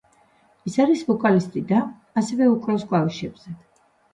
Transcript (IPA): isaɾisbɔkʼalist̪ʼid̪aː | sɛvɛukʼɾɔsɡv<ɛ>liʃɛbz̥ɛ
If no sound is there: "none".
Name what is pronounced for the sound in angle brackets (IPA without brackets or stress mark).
a